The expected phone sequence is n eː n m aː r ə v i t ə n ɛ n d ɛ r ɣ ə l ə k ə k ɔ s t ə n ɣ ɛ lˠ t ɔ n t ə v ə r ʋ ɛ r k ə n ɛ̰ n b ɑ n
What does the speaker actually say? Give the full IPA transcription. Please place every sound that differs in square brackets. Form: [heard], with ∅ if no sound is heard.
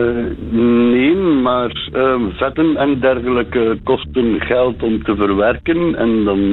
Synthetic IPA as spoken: n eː n m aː r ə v [ɛ] t ə n ɛ n d ɛ r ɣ ə l ə k ə k ɔ s t ə n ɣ ɛ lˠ t ɔ [m] t ə v ə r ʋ ɛ r k ə n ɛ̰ n [d] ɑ n